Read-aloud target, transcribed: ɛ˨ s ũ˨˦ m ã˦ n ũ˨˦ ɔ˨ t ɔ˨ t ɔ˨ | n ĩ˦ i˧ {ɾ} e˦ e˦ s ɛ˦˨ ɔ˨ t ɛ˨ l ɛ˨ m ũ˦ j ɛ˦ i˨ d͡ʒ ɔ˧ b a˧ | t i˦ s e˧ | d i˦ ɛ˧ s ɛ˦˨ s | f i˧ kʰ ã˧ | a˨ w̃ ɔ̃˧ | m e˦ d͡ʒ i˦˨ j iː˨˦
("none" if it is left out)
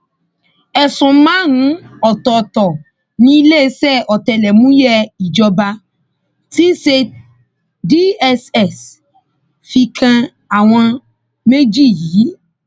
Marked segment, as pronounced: l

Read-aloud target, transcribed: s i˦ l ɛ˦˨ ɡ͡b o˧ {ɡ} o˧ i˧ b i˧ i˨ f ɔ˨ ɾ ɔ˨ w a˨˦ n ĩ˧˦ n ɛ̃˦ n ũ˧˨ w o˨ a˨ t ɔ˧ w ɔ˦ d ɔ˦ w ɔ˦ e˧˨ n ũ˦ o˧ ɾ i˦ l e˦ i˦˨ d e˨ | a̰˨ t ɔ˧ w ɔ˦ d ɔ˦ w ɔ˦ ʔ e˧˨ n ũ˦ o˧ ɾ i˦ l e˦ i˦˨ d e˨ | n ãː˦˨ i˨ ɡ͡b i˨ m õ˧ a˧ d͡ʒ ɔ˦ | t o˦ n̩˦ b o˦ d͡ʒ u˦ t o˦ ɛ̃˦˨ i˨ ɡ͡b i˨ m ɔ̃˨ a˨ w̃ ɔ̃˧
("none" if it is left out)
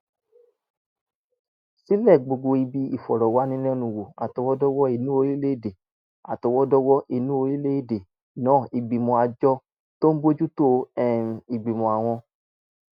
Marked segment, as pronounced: ɡ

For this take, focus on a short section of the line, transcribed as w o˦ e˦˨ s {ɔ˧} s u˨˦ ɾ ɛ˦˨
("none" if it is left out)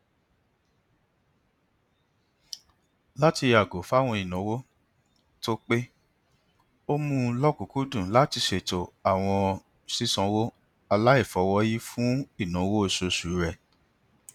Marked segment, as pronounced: o˧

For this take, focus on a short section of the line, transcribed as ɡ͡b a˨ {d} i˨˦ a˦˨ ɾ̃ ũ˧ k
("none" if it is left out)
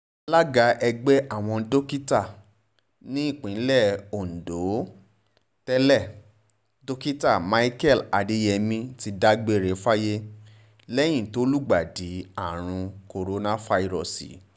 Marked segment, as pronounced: d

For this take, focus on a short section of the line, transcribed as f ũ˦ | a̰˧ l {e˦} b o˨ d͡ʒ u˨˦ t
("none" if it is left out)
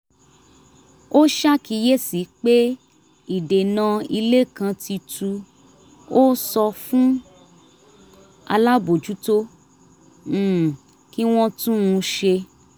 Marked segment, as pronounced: a˦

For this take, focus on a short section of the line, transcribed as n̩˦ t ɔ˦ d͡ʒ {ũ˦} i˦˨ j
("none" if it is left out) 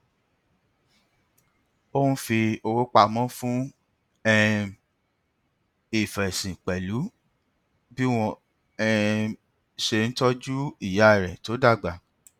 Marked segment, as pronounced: u˦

